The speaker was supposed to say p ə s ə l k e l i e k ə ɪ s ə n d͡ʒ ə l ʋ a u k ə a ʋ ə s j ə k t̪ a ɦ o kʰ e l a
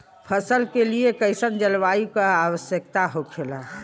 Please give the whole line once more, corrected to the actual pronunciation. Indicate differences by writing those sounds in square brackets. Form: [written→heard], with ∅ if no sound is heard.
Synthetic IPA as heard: [p→pʰ] ə s ə l k e l i e k ə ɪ s ə n d͡ʒ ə l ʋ a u k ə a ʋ ə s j ə k t̪ a ɦ o kʰ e l a